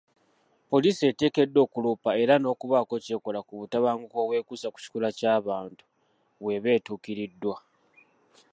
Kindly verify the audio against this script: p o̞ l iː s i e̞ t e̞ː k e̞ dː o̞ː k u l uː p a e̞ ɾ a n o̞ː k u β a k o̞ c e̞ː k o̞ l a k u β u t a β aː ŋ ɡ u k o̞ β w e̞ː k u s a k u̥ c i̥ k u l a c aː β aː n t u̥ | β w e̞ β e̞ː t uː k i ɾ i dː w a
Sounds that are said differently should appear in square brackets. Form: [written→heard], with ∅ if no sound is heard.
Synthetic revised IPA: p o̞ l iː s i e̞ t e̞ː k e̞ dː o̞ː k u l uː p a e̞ ɾ a n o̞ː k u β a k o̞ c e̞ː k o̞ l a k u β u t a β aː ŋ ɡ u k o̞ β w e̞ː k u s a k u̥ c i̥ k u l a c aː β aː n t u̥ | β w e̞ β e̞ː t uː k i ɾ i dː w a